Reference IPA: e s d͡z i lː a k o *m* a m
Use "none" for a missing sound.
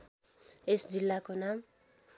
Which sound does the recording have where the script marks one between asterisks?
n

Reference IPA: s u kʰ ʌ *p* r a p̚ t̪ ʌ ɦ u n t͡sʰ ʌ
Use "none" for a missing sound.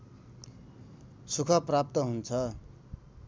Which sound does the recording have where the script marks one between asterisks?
p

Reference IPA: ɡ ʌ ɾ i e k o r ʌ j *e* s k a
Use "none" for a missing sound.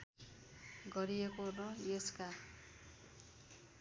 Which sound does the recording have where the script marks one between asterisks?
e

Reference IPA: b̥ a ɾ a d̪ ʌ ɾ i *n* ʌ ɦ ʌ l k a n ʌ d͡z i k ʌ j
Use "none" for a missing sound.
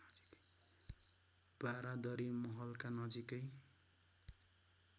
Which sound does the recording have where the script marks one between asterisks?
m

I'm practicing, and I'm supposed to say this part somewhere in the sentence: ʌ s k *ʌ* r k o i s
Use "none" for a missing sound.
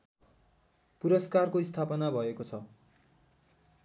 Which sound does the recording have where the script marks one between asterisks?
a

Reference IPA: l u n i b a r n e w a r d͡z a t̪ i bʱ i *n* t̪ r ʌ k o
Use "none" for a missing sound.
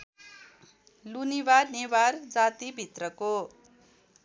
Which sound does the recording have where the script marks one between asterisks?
none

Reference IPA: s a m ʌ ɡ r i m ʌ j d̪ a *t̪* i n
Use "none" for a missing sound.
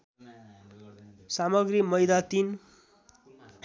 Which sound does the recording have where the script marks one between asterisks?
t̪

